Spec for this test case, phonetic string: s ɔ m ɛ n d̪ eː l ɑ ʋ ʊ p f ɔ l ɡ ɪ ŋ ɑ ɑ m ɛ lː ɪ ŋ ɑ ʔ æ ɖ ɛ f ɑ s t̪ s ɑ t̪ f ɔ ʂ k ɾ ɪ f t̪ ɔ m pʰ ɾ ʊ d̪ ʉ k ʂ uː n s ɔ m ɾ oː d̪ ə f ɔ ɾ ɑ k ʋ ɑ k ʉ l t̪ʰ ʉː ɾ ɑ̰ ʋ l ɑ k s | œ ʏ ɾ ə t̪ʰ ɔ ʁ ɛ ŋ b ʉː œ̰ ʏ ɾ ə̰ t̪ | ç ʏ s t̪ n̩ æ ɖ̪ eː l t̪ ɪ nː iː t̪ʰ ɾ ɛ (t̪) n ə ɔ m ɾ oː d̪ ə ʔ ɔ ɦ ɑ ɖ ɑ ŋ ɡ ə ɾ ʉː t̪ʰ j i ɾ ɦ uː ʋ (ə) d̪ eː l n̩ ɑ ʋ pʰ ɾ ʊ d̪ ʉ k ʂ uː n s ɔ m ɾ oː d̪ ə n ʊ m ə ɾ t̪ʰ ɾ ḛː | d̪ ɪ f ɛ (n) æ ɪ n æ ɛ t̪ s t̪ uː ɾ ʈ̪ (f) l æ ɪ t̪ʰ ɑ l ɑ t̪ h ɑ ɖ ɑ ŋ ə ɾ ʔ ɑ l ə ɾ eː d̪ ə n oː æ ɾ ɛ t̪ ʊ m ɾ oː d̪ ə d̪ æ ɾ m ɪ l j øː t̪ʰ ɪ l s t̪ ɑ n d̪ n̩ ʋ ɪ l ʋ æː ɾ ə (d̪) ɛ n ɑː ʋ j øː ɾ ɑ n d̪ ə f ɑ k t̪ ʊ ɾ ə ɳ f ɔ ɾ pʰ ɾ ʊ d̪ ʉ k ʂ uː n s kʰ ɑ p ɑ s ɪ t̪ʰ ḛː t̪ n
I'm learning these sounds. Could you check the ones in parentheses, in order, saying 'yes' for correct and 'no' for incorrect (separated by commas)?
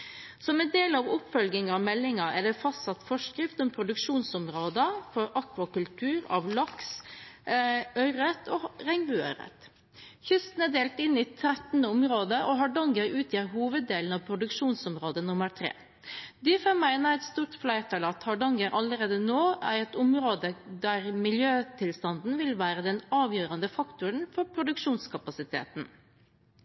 yes, yes, no, yes, yes